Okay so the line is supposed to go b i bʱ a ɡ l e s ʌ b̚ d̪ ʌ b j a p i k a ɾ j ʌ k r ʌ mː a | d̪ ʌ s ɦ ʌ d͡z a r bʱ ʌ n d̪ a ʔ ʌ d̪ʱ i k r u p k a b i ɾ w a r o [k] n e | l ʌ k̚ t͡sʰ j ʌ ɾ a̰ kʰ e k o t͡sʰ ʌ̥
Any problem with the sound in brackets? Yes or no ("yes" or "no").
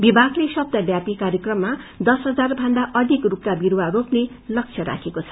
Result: yes